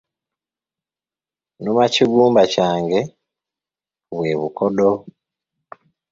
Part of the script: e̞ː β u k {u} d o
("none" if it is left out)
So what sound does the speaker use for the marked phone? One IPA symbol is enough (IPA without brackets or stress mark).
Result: o